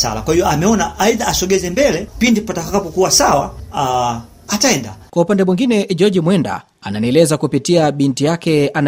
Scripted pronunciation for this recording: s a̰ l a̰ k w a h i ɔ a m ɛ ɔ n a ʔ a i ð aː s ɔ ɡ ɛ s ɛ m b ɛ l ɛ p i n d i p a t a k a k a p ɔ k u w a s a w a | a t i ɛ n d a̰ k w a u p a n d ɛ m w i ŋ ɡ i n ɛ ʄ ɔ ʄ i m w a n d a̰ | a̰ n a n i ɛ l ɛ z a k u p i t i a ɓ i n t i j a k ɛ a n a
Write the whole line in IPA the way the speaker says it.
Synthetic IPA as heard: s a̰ l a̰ k w a h i ɔ a m ɛ ɔ n a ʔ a i ð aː s ɔ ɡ ɛ z ɛ m b ɛ l ɛ p i n d i p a t a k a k a p ɔ k u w a s a w a | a t a ɛ n d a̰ k w a u p a n d ɛ m w i ŋ ɡ i n ɛ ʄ ɔ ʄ i m w ɛ n d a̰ | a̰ n a n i ɛ l ɛ z a k u p i t i a ɓ i n t i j a k ɛ a n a